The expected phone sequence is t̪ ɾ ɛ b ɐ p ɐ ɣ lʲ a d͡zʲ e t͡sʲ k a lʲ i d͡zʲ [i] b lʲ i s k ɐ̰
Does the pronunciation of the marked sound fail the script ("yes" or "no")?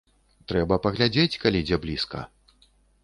yes